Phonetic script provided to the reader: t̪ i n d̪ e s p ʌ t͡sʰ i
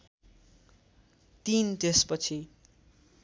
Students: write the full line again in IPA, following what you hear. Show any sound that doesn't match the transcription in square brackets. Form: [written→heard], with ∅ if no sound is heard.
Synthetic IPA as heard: t̪ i n [d̪→t̪] e s p ʌ t͡sʰ i